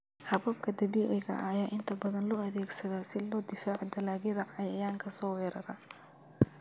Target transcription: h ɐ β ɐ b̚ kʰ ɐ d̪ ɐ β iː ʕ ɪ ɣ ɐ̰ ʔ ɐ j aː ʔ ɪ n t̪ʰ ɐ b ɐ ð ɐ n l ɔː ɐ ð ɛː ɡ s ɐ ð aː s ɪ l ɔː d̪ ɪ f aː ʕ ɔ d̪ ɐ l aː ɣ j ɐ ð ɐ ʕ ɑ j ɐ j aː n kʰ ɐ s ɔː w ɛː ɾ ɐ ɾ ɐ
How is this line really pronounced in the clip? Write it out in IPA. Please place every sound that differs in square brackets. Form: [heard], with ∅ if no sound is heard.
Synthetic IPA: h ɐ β ɐ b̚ kʰ ɐ d̪ ɐ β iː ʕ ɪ ɣ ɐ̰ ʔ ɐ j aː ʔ ɪ n t̪ʰ ɐ b ɐ ð ɐ n l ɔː ɐ ð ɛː ɡ s ɐ ð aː s ɪ l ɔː d̪ ɪ f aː ʕ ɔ d̪ ɐ l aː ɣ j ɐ ð ɐ ʕ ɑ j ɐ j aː [ŋ] kʰ ɐ s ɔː w ɛː ɾ ɐ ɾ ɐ